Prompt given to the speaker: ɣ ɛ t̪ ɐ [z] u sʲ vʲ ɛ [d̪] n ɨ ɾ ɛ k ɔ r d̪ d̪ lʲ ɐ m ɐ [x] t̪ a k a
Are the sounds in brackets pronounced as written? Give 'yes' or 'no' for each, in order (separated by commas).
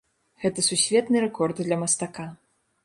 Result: no, no, no